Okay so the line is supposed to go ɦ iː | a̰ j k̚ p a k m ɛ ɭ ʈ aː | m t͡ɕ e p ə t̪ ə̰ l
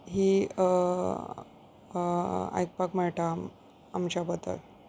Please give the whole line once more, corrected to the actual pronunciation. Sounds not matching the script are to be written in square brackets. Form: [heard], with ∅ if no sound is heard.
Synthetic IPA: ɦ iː | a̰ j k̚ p a k m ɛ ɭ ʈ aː | m t͡ɕ [a] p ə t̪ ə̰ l

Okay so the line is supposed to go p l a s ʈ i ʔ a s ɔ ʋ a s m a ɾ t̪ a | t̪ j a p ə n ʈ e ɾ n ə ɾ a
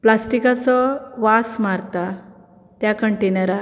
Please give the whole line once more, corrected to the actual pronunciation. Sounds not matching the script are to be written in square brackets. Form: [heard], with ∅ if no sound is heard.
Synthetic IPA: p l a s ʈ i [k] a [t͡s] ɔ ʋ a s m a ɾ t̪ a | t̪ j a [k] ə [ɳ] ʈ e [∅] n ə ɾ a

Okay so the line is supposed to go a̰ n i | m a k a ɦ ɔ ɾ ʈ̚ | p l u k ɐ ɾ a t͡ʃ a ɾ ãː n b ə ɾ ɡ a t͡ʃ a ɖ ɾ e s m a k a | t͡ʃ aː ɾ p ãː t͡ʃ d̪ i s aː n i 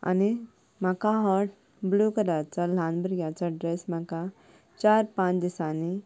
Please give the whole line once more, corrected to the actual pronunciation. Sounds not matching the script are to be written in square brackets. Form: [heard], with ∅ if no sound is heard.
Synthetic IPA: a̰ n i | m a k a ɦ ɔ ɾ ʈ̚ | [b] l u k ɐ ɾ a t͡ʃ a [l] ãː n b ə ɾ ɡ a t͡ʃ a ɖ ɾ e s m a k a | t͡ʃ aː ɾ p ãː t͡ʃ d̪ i s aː n i

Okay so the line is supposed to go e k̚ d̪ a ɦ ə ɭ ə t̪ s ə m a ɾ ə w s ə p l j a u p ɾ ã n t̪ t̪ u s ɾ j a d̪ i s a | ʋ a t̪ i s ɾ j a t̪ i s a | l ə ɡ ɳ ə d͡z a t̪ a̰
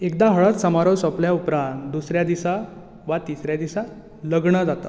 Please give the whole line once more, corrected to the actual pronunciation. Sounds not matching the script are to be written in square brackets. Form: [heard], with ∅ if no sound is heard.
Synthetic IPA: e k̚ d̪ a ɦ ə ɭ ə t̪ s ə m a ɾ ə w s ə p l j a u p ɾ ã n t̪ [d̪] u s ɾ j a d̪ i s a | ʋ a t̪ i s ɾ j a [d̪] i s a | l ə ɡ ɳ ə d͡z a t̪ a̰

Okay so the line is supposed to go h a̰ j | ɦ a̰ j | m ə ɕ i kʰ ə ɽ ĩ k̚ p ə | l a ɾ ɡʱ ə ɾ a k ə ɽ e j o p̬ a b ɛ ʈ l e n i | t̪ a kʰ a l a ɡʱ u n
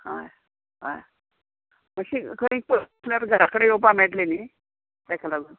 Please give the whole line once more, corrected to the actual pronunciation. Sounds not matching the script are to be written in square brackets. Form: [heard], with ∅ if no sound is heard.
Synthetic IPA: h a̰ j | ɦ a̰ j | m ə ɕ i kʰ ə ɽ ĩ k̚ p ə | l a ɾ ɡʱ ə ɾ a k ə ɽ e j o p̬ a [m] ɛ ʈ l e n i | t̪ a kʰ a l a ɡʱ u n

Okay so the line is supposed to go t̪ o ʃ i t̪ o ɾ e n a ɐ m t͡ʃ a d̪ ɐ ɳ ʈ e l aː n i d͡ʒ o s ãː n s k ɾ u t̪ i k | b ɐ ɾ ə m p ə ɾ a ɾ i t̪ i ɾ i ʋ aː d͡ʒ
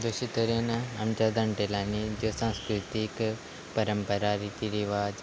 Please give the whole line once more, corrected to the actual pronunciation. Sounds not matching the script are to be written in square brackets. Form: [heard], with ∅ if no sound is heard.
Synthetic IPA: [d̪] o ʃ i t̪ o ɾ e n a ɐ m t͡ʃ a d̪ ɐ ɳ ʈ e l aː n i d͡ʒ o s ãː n s k ɾ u t̪ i k | [p] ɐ ɾ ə m p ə ɾ a ɾ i t̪ i ɾ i ʋ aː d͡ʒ

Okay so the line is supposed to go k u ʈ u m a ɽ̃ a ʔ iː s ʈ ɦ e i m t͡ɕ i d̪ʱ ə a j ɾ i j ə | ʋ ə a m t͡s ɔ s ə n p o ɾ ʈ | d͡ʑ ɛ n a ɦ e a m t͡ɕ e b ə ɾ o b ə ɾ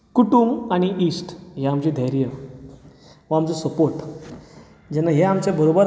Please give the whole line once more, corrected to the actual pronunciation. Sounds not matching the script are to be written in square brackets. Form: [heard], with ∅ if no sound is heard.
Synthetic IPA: k u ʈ u m a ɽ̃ [i] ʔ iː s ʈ ɦ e [a] m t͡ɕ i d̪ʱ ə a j ɾ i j ə | ʋ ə a m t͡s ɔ s ə [∅] p o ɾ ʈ | d͡ʑ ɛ n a ɦ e a m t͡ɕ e b ə ɾ o b ə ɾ

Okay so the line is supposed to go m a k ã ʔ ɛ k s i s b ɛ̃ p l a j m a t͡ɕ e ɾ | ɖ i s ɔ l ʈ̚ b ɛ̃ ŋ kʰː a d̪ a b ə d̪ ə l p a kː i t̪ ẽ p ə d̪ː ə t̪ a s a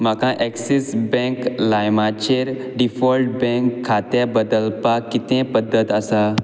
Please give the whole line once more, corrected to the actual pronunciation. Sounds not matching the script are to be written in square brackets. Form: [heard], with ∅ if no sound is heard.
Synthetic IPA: m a k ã ʔ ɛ k s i s b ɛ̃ [k] l a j m a t͡ɕ e ɾ | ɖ i [f] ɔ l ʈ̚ b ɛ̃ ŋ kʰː a [t̪] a b ə d̪ ə l p a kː i t̪ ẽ p ə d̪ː ə t̪ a s a

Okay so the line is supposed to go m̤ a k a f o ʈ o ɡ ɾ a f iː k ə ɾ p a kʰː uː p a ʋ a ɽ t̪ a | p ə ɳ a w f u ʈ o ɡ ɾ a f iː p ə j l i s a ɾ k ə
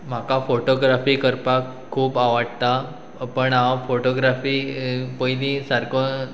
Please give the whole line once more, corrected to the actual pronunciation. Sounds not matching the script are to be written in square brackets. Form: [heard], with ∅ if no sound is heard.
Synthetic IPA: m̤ a k a f o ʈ o ɡ ɾ a f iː k ə ɾ p a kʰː uː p a ʋ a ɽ t̪ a | p ə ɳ a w f [o] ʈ o ɡ ɾ a f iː p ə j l i s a ɾ k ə

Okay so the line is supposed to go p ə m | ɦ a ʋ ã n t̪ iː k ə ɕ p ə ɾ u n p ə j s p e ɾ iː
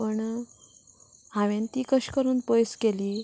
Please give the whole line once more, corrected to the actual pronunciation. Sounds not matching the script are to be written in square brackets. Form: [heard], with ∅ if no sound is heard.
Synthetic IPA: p ə [ɳ] | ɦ a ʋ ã n t̪ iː k ə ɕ [k] ə ɾ [uː] n p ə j s [k] e [l] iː

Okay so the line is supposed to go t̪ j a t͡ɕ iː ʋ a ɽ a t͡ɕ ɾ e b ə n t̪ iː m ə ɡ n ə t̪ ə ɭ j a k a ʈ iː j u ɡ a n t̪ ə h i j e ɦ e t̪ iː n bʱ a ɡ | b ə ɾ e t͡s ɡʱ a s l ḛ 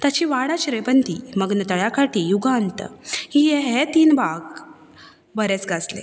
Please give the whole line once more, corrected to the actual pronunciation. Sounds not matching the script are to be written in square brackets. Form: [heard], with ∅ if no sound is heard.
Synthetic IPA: t̪ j a t͡ɕ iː ʋ a ɽ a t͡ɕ ɾ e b ə n t̪ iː m ə ɡ n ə t̪ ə ɭ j a k a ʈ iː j u ɡ a n t̪ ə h i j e ɦ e t̪ iː n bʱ a ɡ | b ə ɾ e t͡s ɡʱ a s l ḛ

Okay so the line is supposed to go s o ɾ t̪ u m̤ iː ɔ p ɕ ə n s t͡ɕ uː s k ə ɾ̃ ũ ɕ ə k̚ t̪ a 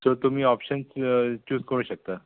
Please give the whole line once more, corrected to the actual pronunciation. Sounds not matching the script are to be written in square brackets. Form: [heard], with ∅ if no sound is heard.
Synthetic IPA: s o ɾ t̪ u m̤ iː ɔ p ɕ ə n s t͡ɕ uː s k ə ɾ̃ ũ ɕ ə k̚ t̪ a

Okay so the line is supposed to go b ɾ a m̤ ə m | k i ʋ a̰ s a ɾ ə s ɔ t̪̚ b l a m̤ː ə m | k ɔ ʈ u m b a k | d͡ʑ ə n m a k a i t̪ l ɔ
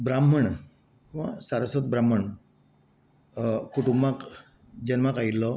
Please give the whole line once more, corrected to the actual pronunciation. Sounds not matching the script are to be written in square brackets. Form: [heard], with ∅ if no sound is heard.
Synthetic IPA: b ɾ a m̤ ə [ɳ] | k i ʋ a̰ s a ɾ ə s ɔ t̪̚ b [ɾ] a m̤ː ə [ɳ] | k [u] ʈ u m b a k | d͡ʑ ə n m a k a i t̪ l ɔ

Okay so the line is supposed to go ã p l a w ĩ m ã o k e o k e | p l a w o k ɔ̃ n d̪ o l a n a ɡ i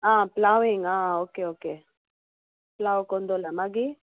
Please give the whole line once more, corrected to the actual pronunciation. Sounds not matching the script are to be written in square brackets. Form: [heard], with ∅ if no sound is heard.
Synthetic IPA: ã p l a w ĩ [ŋ] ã o k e o k e | p l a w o k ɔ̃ n d̪ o l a [m] a ɡ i

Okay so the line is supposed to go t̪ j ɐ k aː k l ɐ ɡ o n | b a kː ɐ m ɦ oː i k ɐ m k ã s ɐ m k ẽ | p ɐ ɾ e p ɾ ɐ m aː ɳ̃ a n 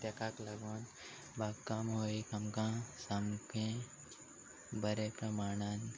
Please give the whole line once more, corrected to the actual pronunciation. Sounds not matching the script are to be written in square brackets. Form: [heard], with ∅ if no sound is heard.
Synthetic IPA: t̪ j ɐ k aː k l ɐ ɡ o n | b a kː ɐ m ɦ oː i k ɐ m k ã s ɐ m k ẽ | [b] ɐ ɾ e p ɾ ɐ m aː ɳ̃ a n

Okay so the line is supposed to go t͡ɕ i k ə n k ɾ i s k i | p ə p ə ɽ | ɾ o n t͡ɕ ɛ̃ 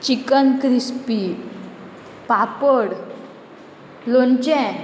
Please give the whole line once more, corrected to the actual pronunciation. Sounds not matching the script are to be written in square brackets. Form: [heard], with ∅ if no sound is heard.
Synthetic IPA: t͡ɕ i k ə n k ɾ i s [p] i | p [a] p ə ɽ | [l] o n t͡ɕ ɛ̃

